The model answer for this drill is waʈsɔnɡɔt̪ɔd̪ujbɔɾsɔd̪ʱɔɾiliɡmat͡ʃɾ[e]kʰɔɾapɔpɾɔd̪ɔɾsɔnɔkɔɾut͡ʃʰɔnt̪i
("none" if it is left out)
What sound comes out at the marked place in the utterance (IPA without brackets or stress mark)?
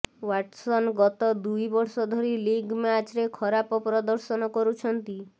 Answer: e